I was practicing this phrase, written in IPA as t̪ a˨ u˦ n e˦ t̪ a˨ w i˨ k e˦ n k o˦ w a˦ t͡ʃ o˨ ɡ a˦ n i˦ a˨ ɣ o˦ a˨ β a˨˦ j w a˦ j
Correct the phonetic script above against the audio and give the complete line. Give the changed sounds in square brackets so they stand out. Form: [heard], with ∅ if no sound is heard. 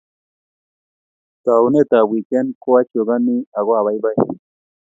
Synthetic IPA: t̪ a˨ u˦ n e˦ t̪ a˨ w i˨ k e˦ n k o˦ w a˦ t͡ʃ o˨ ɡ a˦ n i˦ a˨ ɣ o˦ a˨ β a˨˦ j [b] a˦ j